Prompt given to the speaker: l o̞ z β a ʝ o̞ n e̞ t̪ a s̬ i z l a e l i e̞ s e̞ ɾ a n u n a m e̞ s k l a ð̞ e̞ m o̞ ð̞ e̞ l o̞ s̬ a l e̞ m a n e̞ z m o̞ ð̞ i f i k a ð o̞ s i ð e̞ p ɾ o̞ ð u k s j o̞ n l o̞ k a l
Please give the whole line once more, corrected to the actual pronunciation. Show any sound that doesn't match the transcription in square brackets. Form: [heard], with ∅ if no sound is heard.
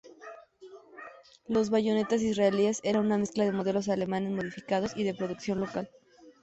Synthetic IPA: l o̞ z β a ʝ o̞ n e̞ t̪ a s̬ i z [r] a e l i e̞ s e̞ ɾ a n u n a m e̞ s k l a ð̞ e̞ m o̞ ð̞ e̞ l o̞ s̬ a l e̞ m a n e̞ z m o̞ ð̞ i f i k a ð o̞ s i ð e̞ p ɾ o̞ ð u k s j o̞ n l o̞ k a l